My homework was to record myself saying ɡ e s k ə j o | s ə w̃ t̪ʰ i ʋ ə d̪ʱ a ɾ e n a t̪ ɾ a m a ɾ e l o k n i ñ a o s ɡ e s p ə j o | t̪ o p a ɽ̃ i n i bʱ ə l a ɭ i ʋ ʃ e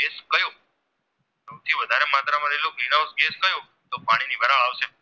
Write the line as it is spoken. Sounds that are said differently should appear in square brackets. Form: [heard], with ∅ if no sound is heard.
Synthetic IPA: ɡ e s k ə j o | s ə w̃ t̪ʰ i ʋ ə d̪ʱ a ɾ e [m] a t̪ ɾ a m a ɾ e l o k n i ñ a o s ɡ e s [k] ə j o | t̪ o p a ɽ̃ i n i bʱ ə [ɾ] a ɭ [a] ʋ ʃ e